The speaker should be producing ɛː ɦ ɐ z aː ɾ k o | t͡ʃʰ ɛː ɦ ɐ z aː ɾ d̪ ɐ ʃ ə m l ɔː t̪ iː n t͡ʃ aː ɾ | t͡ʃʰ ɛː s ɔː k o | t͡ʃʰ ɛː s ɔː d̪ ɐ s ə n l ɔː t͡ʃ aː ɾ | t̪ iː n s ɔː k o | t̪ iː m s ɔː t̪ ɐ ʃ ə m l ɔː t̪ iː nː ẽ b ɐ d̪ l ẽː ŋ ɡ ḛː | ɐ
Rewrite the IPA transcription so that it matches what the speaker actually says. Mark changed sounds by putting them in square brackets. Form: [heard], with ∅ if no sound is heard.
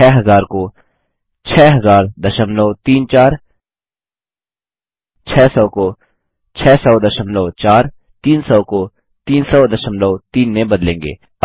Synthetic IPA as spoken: ɛː ɦ ɐ z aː ɾ k o | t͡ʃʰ ɛː ɦ ɐ z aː ɾ d̪ ɐ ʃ ə m l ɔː t̪ iː n t͡ʃ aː ɾ | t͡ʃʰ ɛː s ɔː k o | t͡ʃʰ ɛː s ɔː d̪ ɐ [ʃ] ə [m] l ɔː t͡ʃ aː ɾ | t̪ iː n s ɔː k o | t̪ iː [n] s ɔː [d̪] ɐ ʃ ə m l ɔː t̪ iː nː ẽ b ɐ d̪ l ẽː ŋ ɡ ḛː | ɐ